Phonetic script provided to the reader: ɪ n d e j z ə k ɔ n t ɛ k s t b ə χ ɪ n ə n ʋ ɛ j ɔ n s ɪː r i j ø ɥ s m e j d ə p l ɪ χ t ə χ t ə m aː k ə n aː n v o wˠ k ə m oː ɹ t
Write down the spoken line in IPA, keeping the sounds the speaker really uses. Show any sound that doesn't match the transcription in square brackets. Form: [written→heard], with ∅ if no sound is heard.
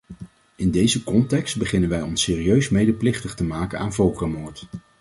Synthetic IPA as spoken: ɪ n d e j z ə k ɔ n t ɛ k s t b ə χ ɪ n ə n ʋ ɛ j ɔ n s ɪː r i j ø ɥ s m e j d ə p l ɪ χ t ə χ t ə m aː k ə n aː n v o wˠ k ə m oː ɹ t

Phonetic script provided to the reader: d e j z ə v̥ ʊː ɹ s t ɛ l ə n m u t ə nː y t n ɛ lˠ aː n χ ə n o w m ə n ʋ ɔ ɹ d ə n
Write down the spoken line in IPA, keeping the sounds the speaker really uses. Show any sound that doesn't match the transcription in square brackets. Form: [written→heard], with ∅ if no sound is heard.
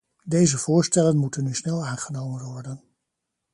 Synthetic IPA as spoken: d e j z ə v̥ ʊː ɹ s t ɛ l ə n m u t ə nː y [t→s] n ɛ lˠ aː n χ ə n o w m ə n ʋ ɔ ɹ d ə n

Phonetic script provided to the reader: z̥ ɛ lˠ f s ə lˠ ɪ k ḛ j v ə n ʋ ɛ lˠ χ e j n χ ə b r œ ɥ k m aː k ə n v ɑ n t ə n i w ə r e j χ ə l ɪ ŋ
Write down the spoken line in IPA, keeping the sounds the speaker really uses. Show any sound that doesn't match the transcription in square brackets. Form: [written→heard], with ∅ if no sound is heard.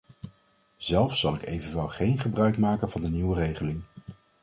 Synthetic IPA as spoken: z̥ ɛ lˠ f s [ə→ɑ] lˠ ɪ k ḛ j v ə n ʋ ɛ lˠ χ e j n χ ə b r œ ɥ k m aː k ə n v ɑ n [t→d] ə n i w ə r e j χ ə l ɪ ŋ

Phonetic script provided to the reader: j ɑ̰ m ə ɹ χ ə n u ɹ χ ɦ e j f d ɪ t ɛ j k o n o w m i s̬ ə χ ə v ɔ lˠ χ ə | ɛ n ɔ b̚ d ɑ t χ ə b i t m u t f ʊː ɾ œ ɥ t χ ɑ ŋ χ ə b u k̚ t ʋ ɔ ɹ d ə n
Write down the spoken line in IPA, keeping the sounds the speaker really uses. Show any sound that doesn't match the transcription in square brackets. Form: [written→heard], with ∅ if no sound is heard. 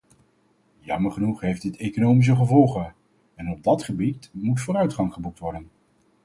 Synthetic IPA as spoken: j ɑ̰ m ə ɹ χ ə n u [ɹ→∅] χ ɦ e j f d ɪ t [ɛ→e] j k o n o w m i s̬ ə χ ə v ɔ lˠ χ ə | ɛ n ɔ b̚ d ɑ t χ ə b i t m u t f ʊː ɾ œ ɥ t χ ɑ ŋ χ ə b u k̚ t ʋ ɔ ɹ d ə n

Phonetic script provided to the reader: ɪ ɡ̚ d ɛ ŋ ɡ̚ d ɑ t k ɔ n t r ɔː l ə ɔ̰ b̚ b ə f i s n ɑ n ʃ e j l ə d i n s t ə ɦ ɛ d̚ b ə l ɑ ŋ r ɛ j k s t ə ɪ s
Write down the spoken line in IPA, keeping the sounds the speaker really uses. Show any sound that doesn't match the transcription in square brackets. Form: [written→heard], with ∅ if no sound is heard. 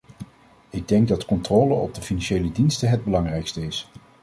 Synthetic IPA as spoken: ɪ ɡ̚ d ɛ ŋ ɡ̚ d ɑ t k ɔ n t r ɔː l ə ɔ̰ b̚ [b→d] ə f i [s→∅] n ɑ n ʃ e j l ə d i n s t ə ɦ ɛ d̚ b ə l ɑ ŋ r ɛ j k s t ə ɪ s

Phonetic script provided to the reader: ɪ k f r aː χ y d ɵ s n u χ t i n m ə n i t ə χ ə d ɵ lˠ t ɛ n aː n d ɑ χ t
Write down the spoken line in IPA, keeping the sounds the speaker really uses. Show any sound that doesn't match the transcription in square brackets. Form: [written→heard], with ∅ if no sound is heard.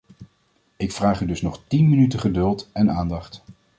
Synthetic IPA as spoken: ɪ k f r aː χ y d ɵ s n [u→ɔ] χ t i n m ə n [i→y] t ə χ ə d ɵ lˠ t ɛ n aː n d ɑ χ t

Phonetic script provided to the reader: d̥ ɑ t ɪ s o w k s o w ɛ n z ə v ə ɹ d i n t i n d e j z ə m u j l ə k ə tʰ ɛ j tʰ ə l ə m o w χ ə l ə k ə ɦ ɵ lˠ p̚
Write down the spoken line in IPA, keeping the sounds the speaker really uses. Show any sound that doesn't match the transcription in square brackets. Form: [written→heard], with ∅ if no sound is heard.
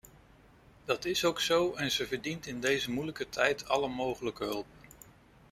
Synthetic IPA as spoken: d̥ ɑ t ɪ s o w k s o w ɛ n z ə v ə ɹ d i n t [i→ɪ] n d e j z ə m u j l ə k ə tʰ ɛ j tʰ [ə→ɑ] l ə m o w χ ə l ə k ə ɦ ɵ lˠ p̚

